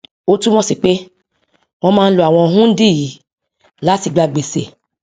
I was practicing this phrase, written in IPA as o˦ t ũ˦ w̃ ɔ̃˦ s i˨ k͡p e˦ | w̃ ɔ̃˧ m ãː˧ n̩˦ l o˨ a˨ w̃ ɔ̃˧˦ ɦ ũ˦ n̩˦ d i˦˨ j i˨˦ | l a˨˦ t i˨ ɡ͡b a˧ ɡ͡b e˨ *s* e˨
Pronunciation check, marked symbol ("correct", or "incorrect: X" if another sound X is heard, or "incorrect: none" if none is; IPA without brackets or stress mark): correct